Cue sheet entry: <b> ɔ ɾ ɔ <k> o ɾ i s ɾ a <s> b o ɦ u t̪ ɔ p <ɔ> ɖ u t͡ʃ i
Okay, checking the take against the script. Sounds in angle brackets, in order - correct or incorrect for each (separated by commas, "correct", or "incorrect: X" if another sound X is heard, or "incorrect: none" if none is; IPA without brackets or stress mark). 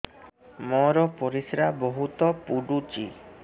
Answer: incorrect: m, incorrect: p, incorrect: none, incorrect: u